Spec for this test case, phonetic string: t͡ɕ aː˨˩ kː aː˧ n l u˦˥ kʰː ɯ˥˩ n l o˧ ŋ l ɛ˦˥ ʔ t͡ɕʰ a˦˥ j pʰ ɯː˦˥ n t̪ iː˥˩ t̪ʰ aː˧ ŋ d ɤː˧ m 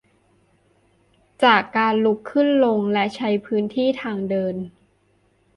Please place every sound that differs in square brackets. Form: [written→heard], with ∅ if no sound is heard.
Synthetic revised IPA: t͡ɕ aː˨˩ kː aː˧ n l u˦˥ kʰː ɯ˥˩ n l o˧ ŋ l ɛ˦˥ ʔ t͡ɕʰ a˦˥ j pʰ ɯː˦˥ n [t̪→t̪ʰ] iː˥˩ t̪ʰ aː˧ ŋ d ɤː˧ [m→n]